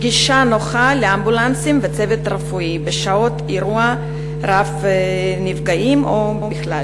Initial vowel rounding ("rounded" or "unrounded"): unrounded